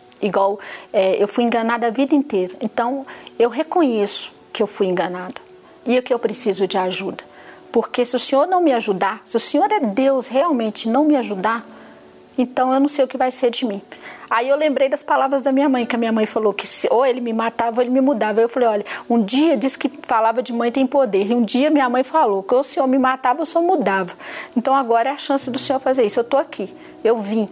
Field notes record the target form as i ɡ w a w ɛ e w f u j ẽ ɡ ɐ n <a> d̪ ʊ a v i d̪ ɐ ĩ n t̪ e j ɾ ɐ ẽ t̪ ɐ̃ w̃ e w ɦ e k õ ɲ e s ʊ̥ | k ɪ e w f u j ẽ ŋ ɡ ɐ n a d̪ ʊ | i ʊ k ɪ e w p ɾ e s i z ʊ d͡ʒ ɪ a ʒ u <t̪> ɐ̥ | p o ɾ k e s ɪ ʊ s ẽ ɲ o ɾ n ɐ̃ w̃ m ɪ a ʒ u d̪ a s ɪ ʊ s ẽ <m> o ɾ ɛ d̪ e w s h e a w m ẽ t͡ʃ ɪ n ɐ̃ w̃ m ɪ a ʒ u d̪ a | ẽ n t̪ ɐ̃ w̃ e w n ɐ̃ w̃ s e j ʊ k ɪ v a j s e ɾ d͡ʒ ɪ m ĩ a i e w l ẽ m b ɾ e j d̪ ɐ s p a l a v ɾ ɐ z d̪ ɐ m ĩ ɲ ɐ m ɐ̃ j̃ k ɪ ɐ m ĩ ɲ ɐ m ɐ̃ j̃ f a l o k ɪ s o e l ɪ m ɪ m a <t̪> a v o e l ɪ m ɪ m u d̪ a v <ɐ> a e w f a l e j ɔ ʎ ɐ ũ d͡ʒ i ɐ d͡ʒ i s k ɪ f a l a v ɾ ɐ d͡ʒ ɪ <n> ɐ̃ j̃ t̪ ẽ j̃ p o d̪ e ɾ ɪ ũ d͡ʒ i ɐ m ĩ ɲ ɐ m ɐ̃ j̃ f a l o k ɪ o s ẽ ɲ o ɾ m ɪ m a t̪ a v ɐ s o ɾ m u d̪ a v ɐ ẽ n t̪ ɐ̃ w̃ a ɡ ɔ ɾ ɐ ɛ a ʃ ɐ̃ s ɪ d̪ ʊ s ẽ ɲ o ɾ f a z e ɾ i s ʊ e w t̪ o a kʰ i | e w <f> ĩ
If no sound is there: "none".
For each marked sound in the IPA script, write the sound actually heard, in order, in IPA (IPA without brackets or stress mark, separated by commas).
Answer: a, d̪, ɲ, t̪, ɐ, m, v